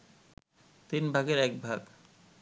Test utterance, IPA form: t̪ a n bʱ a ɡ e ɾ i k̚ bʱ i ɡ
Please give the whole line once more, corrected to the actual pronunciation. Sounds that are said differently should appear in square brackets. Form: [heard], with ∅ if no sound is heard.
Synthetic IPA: t̪ [i] n bʱ a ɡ e ɾ [ɛ] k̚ bʱ [a] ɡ